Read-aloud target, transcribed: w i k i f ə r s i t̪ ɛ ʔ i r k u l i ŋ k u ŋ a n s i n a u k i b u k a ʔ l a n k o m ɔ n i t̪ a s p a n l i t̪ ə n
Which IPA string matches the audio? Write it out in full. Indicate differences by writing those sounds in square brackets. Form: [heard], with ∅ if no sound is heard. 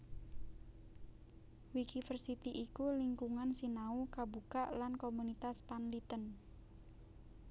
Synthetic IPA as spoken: w i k i f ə r s i t̪ [i] ʔ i [∅] k u l i ŋ k u ŋ a n s i n a u k [a] b u k a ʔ l a n k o m [u] n i t̪ a s p a n l i t̪ ə n